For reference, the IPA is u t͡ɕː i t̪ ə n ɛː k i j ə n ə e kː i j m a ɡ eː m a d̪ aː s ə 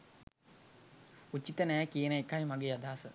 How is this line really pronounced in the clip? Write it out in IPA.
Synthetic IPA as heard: u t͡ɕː i t̪ ə n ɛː k i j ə n ə e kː a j m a ɡ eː a d̪ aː s ə